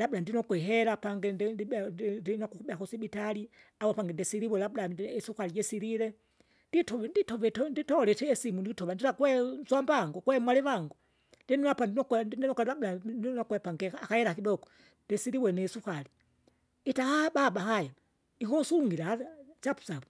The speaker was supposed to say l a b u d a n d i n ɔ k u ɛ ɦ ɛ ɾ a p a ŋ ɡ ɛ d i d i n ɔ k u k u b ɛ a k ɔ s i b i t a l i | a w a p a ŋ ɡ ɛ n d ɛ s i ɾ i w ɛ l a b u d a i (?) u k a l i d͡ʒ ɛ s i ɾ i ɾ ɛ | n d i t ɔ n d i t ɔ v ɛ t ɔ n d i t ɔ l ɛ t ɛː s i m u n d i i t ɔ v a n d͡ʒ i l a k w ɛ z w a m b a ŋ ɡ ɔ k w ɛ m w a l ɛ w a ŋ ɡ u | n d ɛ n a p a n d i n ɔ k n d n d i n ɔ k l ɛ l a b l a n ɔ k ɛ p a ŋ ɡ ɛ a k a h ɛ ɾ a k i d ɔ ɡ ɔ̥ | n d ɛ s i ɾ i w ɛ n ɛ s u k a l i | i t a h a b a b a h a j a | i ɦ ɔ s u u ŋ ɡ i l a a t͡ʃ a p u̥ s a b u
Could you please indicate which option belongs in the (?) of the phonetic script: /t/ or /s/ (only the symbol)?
s